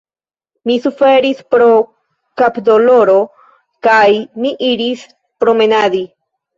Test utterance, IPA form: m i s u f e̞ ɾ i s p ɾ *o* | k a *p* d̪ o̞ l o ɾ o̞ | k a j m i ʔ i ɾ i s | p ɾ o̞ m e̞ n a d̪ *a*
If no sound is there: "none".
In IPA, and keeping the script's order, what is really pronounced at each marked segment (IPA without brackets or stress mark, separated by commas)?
o, p, i